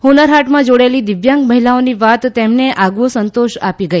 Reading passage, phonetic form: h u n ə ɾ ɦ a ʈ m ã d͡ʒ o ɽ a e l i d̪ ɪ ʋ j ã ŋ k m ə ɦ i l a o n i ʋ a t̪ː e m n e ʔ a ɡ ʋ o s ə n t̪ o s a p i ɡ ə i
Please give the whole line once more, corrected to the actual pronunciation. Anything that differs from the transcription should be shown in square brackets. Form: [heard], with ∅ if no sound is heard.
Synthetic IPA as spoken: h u n ə ɾ ɦ a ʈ m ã d͡ʒ o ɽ a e l i d̪ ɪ ʋ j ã ŋ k m ə ɦ i l a o n i ʋ a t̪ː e m n e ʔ a ɡ ʋ o s ə n t̪ o [ʃ] a p i ɡ ə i